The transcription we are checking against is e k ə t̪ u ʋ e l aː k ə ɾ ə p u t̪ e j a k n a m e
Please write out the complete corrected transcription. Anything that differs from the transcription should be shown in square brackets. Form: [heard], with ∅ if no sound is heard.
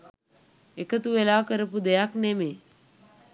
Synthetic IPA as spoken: e k ə t̪ u ʋ e l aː k ə ɾ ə p u [d̪] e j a k n [e] m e